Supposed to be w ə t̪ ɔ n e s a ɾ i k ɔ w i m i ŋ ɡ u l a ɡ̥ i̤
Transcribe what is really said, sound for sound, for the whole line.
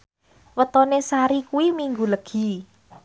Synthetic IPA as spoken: w ə t̪ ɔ n e s a ɾ i k u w i m i ŋ ɡ u l ə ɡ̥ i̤